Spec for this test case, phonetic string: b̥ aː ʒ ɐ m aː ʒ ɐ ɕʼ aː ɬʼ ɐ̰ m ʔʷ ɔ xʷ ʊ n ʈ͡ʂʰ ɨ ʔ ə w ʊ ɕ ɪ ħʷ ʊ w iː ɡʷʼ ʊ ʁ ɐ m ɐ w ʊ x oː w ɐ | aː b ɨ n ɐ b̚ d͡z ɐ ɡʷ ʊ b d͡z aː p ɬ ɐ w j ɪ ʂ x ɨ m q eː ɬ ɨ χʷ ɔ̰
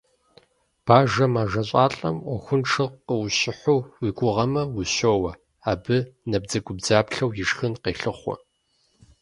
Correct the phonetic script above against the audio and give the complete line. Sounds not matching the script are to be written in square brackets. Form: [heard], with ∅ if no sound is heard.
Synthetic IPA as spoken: b̥ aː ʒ ɐ m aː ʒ ɐ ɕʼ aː ɬʼ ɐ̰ m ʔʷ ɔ xʷ ʊ n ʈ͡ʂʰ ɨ [q] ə w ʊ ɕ ɪ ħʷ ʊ w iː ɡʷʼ ʊ ʁ ɐ m ɐ w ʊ [ɕ] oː w ɐ | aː b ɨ n ɐ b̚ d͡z ɐ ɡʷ ʊ b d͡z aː p ɬ ɐ w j ɪ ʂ x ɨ [n] q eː ɬ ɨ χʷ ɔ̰